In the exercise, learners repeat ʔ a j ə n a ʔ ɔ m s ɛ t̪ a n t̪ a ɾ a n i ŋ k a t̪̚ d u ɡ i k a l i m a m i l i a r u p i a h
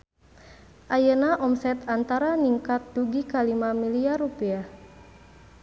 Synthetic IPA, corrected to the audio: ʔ a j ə n a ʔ ɔ m s ɛ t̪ a n t̪ a ɾ a n i ŋ k a t̪̚ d u ɡ i k a l i m a m i l i a r u p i a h